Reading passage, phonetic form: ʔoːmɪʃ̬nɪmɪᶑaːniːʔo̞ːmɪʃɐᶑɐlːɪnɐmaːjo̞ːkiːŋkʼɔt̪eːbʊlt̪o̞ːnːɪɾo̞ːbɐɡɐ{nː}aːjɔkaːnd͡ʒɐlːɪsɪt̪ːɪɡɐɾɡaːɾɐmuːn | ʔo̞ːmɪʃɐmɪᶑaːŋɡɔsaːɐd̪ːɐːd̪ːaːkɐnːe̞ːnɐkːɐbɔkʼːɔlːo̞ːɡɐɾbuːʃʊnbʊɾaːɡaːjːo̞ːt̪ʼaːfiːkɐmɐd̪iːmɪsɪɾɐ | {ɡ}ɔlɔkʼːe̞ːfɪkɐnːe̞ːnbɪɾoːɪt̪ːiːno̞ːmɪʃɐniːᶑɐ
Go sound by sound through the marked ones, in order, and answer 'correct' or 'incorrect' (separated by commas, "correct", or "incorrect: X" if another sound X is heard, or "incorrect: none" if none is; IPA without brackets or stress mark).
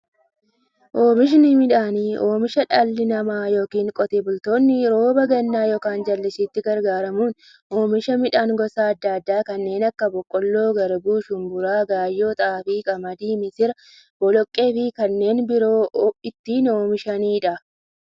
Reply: correct, incorrect: b